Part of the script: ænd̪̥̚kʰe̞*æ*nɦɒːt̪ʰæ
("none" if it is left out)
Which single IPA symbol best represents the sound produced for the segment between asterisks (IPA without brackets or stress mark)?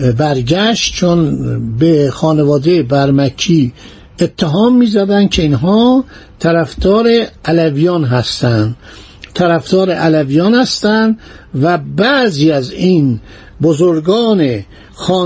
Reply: i